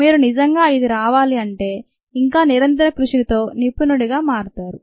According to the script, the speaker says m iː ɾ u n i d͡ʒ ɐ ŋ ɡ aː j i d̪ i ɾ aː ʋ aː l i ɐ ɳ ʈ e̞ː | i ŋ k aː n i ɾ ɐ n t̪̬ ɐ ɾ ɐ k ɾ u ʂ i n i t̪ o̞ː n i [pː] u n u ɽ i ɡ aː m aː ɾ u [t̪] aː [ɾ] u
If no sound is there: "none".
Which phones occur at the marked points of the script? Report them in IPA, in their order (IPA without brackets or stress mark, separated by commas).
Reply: pː, t̪, ɾ